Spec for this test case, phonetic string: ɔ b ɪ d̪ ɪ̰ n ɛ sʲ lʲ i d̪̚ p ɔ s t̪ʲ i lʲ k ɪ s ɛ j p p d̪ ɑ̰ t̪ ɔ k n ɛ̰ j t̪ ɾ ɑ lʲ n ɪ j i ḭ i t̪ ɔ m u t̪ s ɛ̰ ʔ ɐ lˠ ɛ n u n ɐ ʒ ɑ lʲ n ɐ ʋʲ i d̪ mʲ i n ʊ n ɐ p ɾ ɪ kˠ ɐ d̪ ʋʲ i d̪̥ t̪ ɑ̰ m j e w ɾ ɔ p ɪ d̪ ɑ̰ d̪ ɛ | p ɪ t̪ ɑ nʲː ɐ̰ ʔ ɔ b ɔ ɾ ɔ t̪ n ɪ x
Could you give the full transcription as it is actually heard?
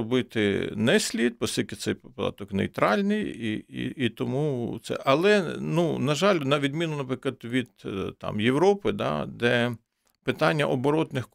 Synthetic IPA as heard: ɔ b ɪ t̪ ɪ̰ n ɛ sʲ lʲ i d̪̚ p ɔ s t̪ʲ i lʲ k ɪ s ɛ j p p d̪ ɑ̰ t̪ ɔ k n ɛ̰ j t̪ ɾ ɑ lʲ n ɪ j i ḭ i t̪ ɔ m u t̪ s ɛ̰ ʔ ɐ lˠ ɛ n u n ɐ ʒ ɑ lʲ n ɐ ʋʲ i d̪ mʲ i n ʊ n ɐ p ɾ ɪ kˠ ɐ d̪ ʋʲ i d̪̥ t̪ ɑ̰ m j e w ɾ ɔ p ɪ d̪ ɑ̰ d̪ ɛ | p ɪ t̪ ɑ nʲː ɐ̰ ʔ ɔ b ɔ ɾ ɔ t̪ n ɪ x